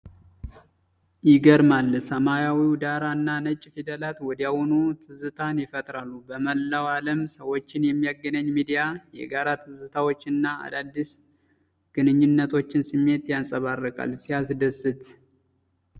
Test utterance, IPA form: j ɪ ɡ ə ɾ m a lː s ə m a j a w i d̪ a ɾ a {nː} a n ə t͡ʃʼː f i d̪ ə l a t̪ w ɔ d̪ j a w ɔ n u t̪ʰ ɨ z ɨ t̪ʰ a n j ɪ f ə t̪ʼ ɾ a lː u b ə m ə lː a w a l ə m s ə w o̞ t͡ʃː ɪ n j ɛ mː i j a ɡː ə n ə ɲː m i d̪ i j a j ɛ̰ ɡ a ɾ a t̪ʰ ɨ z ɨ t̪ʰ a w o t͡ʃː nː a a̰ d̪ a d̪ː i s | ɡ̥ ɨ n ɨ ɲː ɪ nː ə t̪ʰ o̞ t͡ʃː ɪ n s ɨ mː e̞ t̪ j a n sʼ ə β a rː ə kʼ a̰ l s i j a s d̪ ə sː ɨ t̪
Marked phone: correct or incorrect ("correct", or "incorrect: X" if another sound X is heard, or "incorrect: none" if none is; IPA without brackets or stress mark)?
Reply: correct